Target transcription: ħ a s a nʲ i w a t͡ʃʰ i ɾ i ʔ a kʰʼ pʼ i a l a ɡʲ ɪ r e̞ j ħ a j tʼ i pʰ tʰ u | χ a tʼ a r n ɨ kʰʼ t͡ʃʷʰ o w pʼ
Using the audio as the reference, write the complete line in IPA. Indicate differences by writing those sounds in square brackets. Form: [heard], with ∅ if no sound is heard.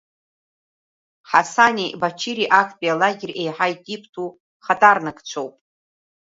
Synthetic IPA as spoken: ħ a s a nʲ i [b] a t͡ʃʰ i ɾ i ʔ a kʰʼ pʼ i a l a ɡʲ ɪ r e̞ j ħ a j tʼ i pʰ tʰ u | χ a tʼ a r n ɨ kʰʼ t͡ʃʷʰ o w pʼ